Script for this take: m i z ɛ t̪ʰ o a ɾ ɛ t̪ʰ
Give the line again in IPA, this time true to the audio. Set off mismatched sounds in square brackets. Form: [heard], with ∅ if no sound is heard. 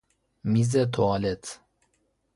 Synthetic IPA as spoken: m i z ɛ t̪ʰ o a [l] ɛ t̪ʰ